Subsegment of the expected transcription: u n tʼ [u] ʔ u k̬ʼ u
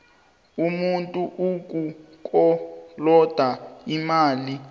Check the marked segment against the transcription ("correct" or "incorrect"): correct